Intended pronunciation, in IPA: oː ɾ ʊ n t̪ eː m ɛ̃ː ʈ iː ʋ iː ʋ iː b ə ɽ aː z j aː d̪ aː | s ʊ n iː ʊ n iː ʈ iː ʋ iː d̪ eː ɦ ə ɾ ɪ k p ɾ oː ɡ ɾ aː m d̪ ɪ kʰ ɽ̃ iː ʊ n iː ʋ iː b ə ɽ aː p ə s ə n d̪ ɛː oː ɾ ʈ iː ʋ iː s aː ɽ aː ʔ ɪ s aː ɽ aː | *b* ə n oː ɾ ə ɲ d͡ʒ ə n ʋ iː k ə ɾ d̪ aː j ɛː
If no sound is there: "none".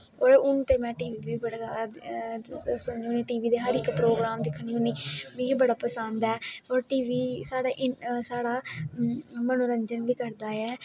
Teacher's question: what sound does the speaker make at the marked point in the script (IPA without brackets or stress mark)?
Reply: m